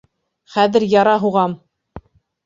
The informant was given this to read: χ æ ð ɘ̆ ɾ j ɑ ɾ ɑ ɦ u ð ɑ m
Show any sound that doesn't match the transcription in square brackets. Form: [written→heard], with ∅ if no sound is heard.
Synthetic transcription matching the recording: χ æ ð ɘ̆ ɾ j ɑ ɾ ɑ ɦ u [ð→ʁ] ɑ m